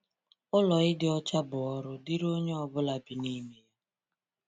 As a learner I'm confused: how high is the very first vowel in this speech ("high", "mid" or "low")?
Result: high